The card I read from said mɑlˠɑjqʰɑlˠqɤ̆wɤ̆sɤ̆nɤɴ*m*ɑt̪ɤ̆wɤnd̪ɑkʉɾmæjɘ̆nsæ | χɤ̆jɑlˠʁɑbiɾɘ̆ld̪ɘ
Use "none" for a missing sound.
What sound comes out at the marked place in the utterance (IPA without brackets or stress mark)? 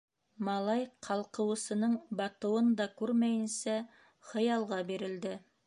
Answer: b